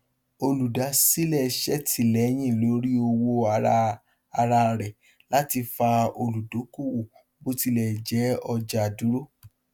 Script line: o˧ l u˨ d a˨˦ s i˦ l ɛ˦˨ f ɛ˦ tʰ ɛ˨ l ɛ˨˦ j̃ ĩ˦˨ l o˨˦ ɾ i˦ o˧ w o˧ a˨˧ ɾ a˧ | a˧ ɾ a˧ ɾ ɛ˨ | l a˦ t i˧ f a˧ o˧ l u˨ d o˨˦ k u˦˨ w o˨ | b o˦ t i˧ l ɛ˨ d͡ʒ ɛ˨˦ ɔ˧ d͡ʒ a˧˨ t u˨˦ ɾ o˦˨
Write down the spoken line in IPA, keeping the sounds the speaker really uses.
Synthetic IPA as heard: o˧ l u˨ d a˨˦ s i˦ l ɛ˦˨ ʃ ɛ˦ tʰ i˨ l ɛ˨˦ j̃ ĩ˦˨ l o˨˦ ɾ i˦ o˧ w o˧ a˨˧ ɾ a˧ | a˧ ɾ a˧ ɾ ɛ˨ | l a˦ t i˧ f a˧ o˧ l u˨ d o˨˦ k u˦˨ w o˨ | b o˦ t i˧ l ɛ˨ d͡ʒ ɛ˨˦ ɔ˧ d͡ʒ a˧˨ d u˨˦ ɾ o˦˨